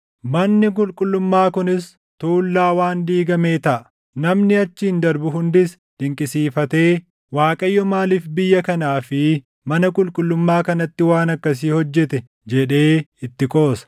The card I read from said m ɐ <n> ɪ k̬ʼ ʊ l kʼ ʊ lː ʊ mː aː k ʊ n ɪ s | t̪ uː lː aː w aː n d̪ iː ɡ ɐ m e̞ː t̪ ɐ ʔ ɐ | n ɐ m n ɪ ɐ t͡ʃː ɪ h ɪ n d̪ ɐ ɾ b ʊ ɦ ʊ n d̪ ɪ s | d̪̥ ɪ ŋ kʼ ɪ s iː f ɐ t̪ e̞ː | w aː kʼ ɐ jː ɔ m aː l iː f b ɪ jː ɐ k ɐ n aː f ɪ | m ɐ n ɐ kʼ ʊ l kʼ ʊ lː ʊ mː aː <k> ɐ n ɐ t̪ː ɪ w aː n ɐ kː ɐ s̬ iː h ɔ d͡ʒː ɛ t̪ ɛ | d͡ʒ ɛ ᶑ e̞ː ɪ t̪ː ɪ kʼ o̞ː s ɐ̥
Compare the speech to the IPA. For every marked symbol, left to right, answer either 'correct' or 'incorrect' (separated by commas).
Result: incorrect, correct